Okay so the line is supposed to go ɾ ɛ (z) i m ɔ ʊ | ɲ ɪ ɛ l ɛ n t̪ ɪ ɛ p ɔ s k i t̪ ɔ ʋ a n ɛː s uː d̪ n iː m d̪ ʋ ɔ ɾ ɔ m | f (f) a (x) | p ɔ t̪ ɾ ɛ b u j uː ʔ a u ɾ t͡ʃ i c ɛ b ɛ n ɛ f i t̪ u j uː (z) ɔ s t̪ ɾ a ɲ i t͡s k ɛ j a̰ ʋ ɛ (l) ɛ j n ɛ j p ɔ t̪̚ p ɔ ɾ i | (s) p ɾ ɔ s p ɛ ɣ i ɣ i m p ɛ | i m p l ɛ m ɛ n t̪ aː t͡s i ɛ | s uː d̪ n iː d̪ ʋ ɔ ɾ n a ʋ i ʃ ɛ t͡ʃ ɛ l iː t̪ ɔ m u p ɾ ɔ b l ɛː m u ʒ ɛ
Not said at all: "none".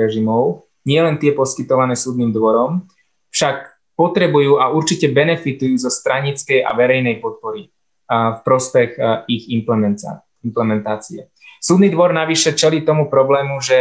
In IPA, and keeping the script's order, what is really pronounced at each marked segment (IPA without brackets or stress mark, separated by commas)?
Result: ʒ, ʃ, k, z, ɾ, f